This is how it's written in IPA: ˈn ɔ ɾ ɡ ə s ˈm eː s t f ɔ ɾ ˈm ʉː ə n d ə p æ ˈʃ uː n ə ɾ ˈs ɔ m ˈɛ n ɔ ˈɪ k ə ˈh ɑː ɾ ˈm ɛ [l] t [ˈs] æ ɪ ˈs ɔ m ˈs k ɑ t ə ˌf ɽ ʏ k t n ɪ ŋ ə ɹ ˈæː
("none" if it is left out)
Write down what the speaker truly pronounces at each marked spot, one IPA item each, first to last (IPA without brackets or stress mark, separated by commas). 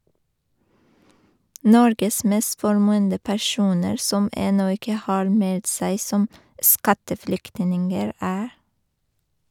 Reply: l, s